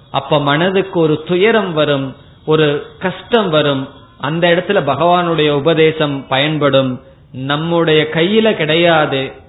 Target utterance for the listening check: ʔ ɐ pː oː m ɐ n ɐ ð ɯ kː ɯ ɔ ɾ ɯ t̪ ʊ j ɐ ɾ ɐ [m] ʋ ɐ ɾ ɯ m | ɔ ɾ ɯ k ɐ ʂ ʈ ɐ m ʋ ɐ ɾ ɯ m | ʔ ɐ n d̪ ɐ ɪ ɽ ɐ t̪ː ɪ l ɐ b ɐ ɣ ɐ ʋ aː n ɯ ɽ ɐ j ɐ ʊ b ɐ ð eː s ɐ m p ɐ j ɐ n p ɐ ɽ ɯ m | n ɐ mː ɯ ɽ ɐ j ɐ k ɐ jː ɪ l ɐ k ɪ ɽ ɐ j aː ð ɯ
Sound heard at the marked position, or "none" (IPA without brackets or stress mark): m